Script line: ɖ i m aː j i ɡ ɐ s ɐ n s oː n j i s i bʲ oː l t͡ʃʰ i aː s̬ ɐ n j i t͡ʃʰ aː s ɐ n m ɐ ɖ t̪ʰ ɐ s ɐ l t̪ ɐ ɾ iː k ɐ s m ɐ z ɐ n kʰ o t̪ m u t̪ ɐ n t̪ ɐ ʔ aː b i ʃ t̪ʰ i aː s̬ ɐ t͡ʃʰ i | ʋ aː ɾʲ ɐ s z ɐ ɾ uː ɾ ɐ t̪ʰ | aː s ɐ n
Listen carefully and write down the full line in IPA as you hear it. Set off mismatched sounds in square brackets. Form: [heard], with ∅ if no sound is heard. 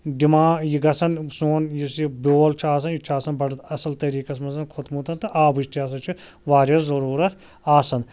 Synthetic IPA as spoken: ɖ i m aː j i ɡ ɐ s ɐ n s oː n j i s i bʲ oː l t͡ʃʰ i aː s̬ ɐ n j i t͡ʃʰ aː s ɐ n [b] ɐ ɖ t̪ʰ ɐ s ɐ l t̪ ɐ ɾ iː k ɐ s m ɐ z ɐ n kʰ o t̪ m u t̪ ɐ n t̪ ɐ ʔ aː b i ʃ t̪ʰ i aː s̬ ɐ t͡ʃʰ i | ʋ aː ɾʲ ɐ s z ɐ ɾ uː ɾ ɐ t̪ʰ | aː s ɐ n